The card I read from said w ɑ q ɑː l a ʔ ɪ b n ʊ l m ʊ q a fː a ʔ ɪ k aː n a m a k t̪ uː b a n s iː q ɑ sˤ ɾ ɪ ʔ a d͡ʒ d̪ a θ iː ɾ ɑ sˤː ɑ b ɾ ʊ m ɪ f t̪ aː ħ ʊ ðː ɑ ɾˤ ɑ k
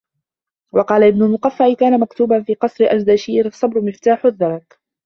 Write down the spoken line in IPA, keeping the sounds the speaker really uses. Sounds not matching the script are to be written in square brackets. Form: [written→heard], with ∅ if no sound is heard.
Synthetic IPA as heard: w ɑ q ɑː l a ʔ ɪ b n ʊ l m ʊ q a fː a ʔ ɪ k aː n a m a k t̪ uː b a n [s→f] iː q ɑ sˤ ɾ ɪ ʔ a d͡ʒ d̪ a [θ→ʃ] iː ɾ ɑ sˤː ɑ b ɾ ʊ m ɪ f t̪ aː ħ ʊ ðː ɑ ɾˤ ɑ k